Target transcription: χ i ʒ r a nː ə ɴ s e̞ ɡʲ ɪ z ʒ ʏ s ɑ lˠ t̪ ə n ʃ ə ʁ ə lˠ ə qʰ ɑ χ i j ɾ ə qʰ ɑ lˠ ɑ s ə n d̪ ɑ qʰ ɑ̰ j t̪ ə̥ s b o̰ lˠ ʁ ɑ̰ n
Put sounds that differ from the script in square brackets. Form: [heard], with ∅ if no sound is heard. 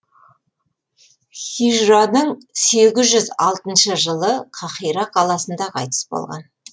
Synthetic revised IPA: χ i ʒ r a [n] ə ɴ s e̞ ɡʲ ɪ z ʒ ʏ [z] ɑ lˠ t̪ ə n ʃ ə [ʒ] ə lˠ ə qʰ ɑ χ i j ɾ [ɑ] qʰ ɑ lˠ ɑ s ə n d̪ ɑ qʰ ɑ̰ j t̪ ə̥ s b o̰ lˠ ʁ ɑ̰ n